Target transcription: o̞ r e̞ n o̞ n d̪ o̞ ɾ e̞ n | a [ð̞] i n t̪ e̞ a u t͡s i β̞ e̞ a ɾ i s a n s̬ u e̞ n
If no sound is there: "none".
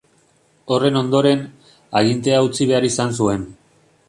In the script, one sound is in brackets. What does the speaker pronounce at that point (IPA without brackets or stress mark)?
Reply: ɣ̞